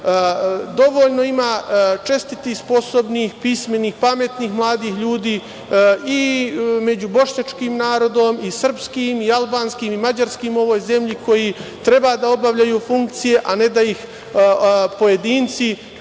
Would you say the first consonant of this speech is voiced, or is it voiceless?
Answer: voiced